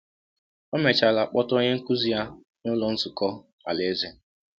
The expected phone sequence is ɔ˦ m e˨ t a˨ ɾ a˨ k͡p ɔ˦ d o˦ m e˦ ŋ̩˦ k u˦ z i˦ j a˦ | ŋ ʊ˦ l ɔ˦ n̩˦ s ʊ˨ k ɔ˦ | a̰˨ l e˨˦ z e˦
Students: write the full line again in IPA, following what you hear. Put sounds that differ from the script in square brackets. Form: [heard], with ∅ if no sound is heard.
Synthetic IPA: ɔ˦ m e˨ [t͡ʃ] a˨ [l] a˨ k͡p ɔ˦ [t] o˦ [ɲ] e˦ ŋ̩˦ k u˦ z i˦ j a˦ | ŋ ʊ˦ l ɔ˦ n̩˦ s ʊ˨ k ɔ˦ | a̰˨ l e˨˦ z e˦